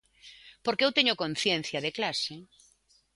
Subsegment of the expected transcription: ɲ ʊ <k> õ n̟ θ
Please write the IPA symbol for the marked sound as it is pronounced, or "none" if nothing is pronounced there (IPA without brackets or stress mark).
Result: k